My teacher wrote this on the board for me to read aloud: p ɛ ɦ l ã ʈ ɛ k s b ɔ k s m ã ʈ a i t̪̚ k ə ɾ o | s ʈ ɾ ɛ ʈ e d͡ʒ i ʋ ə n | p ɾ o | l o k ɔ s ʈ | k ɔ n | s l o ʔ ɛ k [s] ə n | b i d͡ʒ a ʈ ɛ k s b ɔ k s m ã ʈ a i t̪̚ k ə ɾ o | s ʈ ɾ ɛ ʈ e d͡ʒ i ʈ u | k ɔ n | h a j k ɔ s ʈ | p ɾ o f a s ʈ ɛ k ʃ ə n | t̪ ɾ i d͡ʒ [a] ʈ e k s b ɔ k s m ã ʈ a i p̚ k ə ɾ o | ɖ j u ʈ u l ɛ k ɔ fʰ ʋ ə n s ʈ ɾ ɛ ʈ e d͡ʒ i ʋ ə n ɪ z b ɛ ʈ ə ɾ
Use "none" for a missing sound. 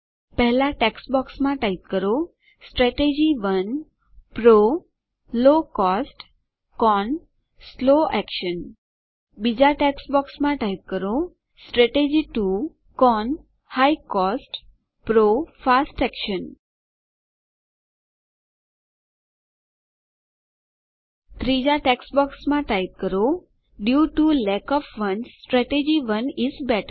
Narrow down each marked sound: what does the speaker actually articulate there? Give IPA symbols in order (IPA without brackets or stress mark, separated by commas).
ʃ, a